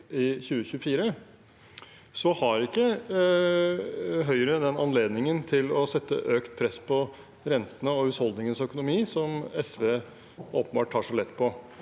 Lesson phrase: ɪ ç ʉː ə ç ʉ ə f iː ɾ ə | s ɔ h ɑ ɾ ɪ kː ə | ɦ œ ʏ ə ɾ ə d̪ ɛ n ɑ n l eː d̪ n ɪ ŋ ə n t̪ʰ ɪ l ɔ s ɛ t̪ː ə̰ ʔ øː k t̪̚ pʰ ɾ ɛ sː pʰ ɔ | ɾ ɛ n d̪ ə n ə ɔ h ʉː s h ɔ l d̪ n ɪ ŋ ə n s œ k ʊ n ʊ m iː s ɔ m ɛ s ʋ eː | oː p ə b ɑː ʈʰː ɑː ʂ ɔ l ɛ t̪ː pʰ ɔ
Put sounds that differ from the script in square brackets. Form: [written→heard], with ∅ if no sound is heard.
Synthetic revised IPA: ɪ ç ʉː ə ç ʉ ə f iː ɾ ə | s ɔ h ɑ ɾ ɪ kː ə | ɦ œ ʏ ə ɾ ə d̪ ɛ n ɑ n l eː d̪ n ɪ ŋ ə n t̪ʰ ɪ l ɔ s ɛ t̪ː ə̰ ʔ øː k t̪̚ pʰ ɾ ɛ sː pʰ ɔ | ɾ ɛ n [d̪→t̪] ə n ə ɔ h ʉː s h ɔ l d̪ n ɪ ŋ ə n s œ k ʊ n ʊ m iː s ɔ m ɛ s ʋ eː | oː p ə b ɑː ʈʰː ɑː ʂ ɔ l ɛ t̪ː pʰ ɔ